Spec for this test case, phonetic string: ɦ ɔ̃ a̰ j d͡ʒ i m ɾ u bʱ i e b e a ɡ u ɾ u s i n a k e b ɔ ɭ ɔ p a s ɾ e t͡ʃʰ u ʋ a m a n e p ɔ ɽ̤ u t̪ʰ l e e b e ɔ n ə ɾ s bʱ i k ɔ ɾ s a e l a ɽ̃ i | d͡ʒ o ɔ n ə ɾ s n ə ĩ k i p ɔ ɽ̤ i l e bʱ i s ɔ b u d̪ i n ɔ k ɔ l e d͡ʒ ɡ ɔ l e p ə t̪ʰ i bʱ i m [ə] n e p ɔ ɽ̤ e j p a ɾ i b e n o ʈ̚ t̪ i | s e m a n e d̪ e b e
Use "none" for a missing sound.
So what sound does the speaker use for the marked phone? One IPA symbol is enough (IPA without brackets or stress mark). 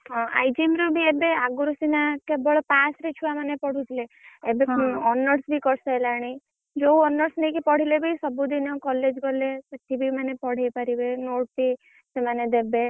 a